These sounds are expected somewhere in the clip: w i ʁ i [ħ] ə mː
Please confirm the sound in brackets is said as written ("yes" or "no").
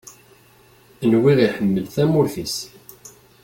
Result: yes